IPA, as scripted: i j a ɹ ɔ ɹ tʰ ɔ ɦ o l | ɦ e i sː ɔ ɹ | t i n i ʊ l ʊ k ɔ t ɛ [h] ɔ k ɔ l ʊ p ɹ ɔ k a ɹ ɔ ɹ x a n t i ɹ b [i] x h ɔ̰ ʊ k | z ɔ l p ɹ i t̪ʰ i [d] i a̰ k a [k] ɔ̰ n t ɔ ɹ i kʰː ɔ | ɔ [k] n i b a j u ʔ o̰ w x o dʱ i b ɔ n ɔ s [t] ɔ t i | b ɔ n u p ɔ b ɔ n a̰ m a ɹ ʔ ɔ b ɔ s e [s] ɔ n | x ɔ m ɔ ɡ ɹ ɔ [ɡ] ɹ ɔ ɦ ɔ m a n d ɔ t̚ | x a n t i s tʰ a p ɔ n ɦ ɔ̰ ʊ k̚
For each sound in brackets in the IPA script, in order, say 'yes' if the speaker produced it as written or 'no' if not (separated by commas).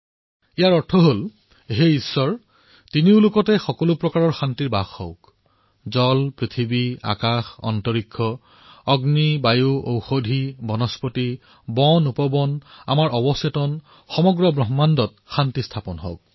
no, no, no, no, no, no, no, no